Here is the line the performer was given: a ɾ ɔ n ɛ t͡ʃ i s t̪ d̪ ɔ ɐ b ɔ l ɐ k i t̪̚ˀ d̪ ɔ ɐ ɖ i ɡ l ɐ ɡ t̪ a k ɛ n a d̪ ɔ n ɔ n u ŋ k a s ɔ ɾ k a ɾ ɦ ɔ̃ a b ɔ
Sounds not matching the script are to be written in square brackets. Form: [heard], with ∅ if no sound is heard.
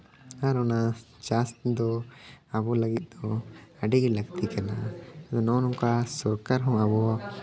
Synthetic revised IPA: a ɾ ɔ n [a] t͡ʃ [a] s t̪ d̪ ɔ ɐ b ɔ l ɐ [ɡ] i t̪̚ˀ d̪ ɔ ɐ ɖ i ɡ l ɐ ɡ t̪ [i] k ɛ n a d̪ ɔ n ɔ n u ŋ k a s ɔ ɾ k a ɾ ɦ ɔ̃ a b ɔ